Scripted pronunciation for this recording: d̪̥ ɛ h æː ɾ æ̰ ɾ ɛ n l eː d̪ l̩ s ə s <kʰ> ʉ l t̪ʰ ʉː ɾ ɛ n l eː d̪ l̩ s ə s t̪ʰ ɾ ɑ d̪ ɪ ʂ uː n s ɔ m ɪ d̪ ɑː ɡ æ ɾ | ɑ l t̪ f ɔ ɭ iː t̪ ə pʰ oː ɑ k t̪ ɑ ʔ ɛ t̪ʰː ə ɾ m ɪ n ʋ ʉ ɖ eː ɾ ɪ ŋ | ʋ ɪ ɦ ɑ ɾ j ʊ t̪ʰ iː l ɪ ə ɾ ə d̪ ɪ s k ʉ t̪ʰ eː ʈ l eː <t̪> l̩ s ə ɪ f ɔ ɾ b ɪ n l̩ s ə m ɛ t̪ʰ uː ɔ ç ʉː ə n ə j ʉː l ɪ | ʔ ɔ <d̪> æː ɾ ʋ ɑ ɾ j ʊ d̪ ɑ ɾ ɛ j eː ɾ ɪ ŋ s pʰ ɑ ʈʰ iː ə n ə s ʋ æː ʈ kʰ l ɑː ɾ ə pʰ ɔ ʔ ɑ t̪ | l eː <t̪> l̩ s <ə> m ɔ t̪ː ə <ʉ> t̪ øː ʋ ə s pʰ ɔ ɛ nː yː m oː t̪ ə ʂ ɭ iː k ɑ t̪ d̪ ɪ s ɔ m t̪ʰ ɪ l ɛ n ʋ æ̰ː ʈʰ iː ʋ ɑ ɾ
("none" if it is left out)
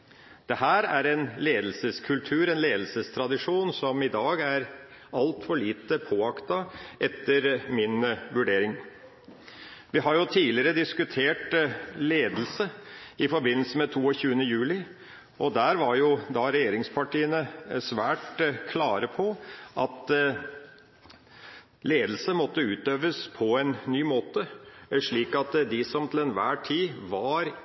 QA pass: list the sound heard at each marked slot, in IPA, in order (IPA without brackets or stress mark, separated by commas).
kʰ, d̪, d̪, d̪, ə, ʉː